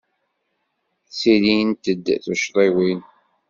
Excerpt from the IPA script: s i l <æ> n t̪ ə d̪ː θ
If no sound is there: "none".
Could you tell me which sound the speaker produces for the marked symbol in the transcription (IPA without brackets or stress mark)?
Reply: i